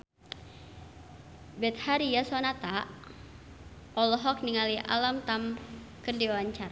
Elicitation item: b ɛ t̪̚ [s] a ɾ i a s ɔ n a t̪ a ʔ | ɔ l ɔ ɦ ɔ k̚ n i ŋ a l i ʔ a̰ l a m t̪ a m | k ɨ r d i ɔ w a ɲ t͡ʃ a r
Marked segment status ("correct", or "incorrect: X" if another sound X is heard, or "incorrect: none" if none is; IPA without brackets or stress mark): incorrect: h